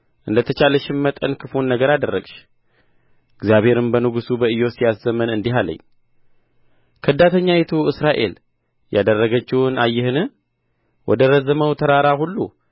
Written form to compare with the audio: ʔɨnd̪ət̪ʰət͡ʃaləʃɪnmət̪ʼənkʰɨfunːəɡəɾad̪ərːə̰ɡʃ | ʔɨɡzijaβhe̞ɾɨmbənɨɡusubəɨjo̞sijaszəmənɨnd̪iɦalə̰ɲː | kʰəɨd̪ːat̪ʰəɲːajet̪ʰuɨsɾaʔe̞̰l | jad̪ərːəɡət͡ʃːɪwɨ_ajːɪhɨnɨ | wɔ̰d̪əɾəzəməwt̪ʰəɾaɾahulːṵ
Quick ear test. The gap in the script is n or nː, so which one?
n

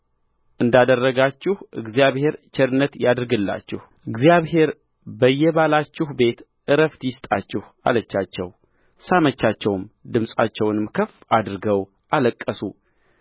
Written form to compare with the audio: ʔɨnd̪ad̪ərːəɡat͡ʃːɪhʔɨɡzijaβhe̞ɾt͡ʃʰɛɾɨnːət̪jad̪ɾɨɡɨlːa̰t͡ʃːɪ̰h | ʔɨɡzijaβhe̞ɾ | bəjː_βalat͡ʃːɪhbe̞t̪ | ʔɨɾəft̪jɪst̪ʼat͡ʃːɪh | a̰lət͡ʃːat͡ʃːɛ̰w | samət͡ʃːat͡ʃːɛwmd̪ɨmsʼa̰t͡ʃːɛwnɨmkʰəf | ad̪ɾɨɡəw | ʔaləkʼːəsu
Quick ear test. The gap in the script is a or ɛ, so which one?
ɛ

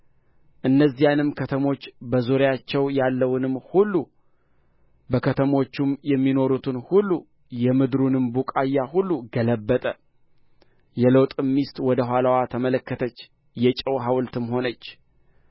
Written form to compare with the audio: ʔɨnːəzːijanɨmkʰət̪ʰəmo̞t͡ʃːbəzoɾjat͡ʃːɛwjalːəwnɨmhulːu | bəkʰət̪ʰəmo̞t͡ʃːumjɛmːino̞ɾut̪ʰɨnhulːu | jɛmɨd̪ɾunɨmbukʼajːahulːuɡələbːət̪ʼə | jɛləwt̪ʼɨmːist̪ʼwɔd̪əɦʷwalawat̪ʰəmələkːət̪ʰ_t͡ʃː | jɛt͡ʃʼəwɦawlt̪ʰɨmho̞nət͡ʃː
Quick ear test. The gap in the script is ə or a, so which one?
ə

